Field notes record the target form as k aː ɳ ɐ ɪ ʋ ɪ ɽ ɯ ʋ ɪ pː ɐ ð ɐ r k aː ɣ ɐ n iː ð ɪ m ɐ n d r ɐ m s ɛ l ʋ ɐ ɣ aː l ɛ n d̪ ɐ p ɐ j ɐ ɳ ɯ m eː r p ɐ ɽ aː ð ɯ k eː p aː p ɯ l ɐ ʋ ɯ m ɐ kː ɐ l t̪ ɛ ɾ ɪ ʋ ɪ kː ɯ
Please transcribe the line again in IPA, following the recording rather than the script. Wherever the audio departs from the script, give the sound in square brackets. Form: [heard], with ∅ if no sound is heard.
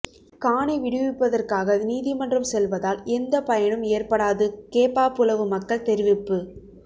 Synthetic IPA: k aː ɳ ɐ ɪ ʋ ɪ ɽ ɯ ʋ ɪ pː ɐ ð ɐ r k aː ɣ ɐ n iː ð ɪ m ɐ n d r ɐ m s ɛ l ʋ ɐ [ð] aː l ɛ n d̪ ɐ p ɐ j ɐ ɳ ɯ m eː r p ɐ ɽ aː ð ɯ k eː p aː p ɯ l ɐ ʋ ɯ m ɐ kː ɐ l t̪ ɛ ɾ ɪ ʋ ɪ [pː] ɯ